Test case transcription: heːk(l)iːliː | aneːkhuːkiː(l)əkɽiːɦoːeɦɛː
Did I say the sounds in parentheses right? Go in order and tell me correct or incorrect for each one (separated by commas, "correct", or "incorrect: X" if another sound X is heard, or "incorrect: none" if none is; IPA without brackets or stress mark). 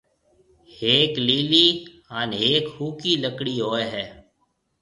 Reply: correct, correct